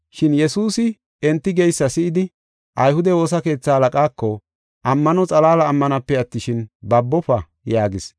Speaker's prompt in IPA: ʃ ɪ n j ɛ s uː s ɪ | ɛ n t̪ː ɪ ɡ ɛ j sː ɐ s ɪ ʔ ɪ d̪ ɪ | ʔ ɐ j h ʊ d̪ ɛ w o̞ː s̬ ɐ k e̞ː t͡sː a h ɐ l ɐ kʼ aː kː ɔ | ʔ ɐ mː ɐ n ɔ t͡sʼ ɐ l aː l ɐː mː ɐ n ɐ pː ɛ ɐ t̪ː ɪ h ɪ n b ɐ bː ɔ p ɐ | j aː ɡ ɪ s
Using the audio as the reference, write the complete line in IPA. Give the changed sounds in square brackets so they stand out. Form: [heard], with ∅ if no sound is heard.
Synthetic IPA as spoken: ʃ ɪ n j ɛ s uː s ɪ | ɛ n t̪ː ɪ ɡ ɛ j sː ɐ s ɪ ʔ ɪ d̪ ɪ | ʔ ɐ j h ʊ d̪ ɛ w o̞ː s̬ ɐ k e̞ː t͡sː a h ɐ l ɐ kʼ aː kː ɔ | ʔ ɐ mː ɐ n ɔ t͡sʼ ɐ l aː l ɐː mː ɐ n ɐ pː ɛ ɐ t̪ː ɪ [ʃ] ɪ n b ɐ bː ɔ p ɐ | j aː ɡ ɪ s